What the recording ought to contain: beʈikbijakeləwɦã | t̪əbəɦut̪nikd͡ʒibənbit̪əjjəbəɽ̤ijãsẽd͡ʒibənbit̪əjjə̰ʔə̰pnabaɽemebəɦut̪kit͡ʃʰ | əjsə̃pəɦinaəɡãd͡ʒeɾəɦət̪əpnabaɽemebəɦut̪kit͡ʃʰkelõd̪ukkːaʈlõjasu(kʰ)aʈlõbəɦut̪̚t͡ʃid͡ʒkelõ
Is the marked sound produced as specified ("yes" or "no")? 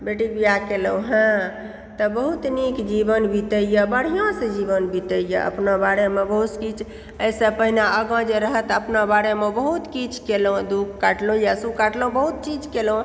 no